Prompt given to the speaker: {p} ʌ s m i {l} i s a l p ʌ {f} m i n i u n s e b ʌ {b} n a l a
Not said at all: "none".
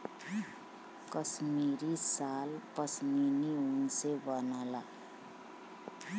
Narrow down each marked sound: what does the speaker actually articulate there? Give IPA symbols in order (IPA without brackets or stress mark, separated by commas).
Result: k, ɾ, s, none